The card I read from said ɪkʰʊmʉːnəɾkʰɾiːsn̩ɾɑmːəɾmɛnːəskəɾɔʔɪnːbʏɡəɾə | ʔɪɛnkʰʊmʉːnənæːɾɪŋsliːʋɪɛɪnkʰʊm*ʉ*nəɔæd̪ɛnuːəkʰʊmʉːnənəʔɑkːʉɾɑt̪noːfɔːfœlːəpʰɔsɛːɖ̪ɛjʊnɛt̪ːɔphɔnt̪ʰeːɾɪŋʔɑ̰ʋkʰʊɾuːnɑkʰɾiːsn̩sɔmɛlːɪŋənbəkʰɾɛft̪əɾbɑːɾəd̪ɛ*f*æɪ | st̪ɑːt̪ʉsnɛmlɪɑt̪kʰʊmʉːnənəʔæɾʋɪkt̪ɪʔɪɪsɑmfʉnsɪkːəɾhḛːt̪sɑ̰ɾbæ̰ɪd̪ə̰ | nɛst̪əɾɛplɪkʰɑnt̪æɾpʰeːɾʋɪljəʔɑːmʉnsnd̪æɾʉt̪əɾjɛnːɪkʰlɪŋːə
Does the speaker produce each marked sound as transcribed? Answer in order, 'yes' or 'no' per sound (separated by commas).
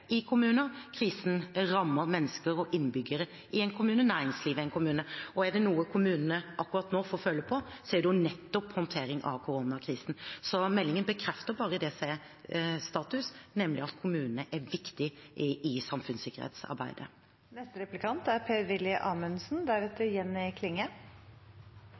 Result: no, no